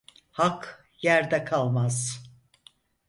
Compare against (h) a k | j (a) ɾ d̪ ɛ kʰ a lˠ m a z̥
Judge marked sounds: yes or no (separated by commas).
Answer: yes, no